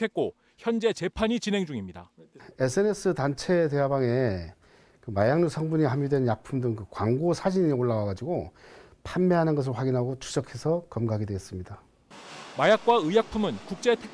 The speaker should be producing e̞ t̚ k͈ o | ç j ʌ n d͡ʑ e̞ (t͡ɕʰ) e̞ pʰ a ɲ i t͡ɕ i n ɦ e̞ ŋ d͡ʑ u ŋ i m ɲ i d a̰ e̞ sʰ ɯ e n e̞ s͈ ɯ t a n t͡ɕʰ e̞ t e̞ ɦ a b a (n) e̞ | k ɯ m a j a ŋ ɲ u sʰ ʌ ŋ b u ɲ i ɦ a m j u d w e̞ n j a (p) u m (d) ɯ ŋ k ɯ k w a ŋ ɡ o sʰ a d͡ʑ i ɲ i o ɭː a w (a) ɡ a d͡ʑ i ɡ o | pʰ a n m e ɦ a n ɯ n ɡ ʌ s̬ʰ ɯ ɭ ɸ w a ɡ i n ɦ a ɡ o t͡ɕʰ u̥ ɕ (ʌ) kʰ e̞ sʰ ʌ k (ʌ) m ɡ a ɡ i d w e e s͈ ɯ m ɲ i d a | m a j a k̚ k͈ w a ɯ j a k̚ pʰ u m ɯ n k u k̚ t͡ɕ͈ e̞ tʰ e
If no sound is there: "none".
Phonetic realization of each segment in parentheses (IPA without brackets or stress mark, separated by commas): t͡ɕ, ŋ, pʰ, d, a, ʌ, ʌ